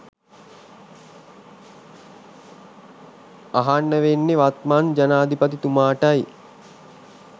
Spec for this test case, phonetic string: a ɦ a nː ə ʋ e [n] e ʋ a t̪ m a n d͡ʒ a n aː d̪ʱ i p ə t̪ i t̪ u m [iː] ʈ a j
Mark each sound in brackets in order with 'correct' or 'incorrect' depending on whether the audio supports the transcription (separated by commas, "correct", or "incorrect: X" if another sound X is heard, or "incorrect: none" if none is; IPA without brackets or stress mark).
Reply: incorrect: nː, incorrect: aː